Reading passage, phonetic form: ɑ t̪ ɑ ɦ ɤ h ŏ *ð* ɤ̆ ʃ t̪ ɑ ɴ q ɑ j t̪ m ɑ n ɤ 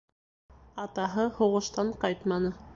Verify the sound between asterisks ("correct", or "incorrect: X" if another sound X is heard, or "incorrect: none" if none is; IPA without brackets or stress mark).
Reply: incorrect: ʁ